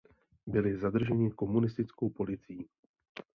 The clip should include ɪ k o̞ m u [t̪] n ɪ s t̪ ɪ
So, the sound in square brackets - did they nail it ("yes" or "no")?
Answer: no